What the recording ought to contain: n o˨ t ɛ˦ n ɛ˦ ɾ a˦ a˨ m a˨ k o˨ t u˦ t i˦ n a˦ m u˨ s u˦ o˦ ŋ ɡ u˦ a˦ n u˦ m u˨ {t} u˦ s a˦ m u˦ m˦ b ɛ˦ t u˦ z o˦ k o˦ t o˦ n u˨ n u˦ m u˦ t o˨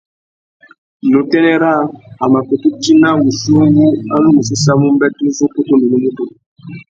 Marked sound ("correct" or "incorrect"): incorrect